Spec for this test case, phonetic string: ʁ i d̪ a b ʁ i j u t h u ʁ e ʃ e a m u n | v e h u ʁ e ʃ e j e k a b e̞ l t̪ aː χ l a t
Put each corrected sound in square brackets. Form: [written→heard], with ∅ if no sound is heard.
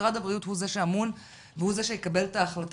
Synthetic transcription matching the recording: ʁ [i→a] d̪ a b ʁ i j u t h u [ʁ→z] e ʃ e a m u n | v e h u [ʁ→z] e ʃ e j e k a b e̞ l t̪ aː χ l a t